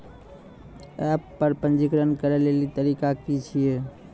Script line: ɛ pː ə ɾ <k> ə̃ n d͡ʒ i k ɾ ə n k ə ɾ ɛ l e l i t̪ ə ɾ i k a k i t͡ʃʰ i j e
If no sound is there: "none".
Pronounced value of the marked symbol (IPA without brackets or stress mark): p